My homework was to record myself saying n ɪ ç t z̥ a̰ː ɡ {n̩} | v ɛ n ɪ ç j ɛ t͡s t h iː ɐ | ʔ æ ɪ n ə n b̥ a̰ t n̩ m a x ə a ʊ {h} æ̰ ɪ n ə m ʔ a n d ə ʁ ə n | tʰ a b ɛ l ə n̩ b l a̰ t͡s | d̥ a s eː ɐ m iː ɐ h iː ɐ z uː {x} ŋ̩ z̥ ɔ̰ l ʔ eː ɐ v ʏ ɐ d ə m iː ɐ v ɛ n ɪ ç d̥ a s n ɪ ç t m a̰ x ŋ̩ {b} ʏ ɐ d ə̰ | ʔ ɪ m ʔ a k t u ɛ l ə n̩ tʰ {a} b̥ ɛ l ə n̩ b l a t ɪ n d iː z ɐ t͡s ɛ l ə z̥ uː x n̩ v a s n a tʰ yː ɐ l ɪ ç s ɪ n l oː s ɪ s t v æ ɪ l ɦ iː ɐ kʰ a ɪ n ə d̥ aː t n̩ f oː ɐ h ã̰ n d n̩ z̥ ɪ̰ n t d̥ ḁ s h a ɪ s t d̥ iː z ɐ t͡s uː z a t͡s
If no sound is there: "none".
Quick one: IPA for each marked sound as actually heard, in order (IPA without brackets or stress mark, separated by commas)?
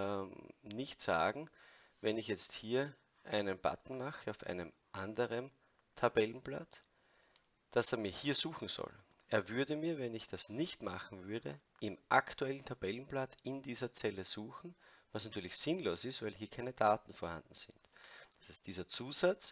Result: ŋ̩, f, x, v, a